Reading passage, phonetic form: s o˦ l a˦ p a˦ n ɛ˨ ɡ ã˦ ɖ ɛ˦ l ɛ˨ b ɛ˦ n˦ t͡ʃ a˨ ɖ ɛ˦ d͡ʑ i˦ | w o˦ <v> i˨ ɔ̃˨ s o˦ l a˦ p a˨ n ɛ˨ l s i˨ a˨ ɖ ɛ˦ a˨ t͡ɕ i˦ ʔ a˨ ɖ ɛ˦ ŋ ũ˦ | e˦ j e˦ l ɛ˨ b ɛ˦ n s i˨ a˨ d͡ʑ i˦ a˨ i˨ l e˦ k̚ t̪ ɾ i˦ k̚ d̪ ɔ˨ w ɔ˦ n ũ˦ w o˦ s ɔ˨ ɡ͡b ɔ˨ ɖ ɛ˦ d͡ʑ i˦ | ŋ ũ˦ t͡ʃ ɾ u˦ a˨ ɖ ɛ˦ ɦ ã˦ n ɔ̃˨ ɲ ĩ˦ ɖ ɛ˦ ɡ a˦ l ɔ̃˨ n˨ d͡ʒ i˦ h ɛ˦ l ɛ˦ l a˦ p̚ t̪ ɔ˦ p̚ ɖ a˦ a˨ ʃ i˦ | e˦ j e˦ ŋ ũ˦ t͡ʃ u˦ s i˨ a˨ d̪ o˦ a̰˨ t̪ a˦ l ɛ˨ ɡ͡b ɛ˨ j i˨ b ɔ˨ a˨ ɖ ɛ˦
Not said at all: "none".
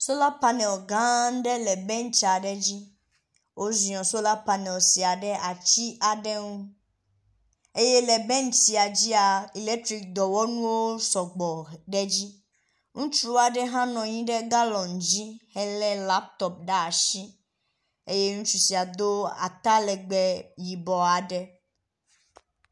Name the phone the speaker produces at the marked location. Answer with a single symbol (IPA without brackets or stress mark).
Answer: z